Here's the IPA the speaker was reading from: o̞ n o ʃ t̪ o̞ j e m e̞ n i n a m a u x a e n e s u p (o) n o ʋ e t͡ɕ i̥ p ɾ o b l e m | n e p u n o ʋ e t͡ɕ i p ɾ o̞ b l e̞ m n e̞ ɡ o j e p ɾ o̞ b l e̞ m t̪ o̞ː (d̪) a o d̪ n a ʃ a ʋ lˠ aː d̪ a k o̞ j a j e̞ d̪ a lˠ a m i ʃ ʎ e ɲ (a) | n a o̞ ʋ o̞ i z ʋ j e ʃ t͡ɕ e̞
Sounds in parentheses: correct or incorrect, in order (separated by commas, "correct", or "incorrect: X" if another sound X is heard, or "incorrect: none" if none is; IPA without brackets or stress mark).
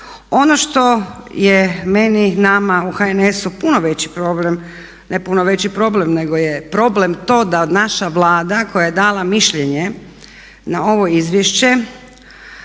incorrect: u, correct, incorrect: e